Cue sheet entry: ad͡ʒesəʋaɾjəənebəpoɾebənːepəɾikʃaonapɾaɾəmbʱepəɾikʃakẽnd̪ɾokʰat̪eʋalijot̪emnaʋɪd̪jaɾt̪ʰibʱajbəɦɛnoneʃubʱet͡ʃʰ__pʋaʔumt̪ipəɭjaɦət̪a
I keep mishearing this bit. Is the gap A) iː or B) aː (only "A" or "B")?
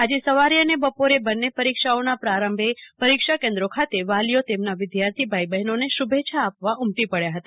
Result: B